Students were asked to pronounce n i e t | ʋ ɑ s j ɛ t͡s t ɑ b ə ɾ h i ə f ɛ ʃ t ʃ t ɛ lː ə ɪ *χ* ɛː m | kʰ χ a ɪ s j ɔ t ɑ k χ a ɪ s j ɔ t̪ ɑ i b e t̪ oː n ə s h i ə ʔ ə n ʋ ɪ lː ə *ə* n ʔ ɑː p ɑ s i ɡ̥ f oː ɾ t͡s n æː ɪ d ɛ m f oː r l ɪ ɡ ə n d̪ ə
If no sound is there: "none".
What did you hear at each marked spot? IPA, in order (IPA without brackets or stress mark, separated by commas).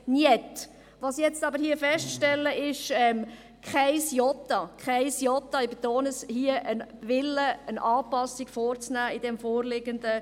ʃ, ə